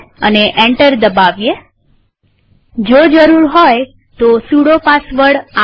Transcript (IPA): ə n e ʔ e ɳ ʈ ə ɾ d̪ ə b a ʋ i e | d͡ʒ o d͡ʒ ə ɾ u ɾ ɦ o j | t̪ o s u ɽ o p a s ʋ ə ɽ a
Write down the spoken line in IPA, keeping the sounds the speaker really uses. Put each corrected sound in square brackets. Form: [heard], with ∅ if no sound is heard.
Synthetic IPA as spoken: ə n e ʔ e ɳ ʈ ə ɾ d̪ ə b a ʋ [j] e | d͡ʒ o d͡ʒ ə ɾ u ɾ ɦ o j | t̪ o s u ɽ o p a s ʋ ə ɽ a